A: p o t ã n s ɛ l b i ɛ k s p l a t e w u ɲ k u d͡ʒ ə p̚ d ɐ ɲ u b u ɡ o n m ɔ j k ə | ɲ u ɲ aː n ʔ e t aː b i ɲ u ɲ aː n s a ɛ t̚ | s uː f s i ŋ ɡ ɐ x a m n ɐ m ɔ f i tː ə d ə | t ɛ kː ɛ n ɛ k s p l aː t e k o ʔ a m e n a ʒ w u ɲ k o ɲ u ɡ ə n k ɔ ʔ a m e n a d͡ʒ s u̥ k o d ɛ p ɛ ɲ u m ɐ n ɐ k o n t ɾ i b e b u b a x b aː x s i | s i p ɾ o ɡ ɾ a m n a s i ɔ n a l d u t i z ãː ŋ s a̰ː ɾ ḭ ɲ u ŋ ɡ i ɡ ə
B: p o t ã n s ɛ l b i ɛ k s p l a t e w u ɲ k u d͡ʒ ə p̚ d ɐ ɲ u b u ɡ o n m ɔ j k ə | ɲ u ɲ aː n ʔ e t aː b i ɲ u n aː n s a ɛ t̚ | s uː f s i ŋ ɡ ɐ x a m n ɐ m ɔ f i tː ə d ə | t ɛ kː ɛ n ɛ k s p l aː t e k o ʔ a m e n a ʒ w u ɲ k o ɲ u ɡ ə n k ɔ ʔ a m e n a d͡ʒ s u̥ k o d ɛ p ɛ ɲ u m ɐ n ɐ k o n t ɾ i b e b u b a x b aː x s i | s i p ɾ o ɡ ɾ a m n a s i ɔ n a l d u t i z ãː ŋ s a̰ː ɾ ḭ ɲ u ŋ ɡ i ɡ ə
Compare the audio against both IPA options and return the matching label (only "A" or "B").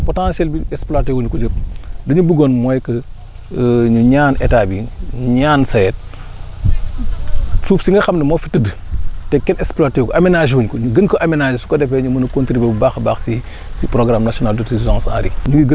A